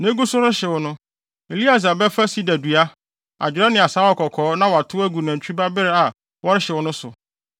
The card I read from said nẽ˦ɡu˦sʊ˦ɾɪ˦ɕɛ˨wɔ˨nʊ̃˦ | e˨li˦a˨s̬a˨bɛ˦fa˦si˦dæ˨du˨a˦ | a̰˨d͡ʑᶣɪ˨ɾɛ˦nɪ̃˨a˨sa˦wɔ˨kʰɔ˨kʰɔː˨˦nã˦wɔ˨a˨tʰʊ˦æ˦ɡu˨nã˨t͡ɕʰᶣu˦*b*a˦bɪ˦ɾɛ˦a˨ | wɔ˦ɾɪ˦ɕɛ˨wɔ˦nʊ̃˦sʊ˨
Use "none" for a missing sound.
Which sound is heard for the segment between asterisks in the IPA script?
b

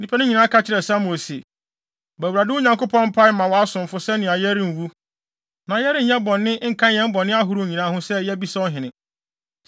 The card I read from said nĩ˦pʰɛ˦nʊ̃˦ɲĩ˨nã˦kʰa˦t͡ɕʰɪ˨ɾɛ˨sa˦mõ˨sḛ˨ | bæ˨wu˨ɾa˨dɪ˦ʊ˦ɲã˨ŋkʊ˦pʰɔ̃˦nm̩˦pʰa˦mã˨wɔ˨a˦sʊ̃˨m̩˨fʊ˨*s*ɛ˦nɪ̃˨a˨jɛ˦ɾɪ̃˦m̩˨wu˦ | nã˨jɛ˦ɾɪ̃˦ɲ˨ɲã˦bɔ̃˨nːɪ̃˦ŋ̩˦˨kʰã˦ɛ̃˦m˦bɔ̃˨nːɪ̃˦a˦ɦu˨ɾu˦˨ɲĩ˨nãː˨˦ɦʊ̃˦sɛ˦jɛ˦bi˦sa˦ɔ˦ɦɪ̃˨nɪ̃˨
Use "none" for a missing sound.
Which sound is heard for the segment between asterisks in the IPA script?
s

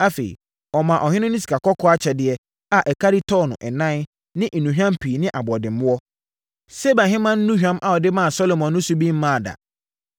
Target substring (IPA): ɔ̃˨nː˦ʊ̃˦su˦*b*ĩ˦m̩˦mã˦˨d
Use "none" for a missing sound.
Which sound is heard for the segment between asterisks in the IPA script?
b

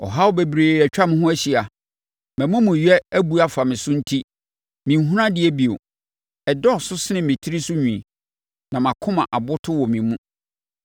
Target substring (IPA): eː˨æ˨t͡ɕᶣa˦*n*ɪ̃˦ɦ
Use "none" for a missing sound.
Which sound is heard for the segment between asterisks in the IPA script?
m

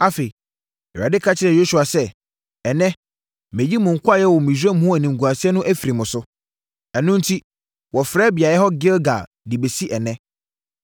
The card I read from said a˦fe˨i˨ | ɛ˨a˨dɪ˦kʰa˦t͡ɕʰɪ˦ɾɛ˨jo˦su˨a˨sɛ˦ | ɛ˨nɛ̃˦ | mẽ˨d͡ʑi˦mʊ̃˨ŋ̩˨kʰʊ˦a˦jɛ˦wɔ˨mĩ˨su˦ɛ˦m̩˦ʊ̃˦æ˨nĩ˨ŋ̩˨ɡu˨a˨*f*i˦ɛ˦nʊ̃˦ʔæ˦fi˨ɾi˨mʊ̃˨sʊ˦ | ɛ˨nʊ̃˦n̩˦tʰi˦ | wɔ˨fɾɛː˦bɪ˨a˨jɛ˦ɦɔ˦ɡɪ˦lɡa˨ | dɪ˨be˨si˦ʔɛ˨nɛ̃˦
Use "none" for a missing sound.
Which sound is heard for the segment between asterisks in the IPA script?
s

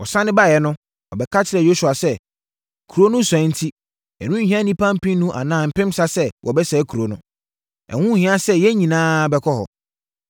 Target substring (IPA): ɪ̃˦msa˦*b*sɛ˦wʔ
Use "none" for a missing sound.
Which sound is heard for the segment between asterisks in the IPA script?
none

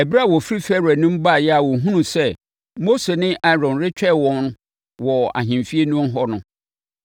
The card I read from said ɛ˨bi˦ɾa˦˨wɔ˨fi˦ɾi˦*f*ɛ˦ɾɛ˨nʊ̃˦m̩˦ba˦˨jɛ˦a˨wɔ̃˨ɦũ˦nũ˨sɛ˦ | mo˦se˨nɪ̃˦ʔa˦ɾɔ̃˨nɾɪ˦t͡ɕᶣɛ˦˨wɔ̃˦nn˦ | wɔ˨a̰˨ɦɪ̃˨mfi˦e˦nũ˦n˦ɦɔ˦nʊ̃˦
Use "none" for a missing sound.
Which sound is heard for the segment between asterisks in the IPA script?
f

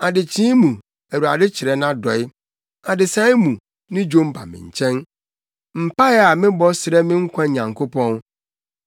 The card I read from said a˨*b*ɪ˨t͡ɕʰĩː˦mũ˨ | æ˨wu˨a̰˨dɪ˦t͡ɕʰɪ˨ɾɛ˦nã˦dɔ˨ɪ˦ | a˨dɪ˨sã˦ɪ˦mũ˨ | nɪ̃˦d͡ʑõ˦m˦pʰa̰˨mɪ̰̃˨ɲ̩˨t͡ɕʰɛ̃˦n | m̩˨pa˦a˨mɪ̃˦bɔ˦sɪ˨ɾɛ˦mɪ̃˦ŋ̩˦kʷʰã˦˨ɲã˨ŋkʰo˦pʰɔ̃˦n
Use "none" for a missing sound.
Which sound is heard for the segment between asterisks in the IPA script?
d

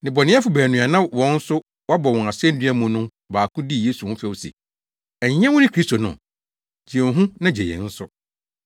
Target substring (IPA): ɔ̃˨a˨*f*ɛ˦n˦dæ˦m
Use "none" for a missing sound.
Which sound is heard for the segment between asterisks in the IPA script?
s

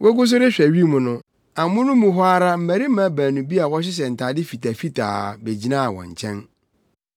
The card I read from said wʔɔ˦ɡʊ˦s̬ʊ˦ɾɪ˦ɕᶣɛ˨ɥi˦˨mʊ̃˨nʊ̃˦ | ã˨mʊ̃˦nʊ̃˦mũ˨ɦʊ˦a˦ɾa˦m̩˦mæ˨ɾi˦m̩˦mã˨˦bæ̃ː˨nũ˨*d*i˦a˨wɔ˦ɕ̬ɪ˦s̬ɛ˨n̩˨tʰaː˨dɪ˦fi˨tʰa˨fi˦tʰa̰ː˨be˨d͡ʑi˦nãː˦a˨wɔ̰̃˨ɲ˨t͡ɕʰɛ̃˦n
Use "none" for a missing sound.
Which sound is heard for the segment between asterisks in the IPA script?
b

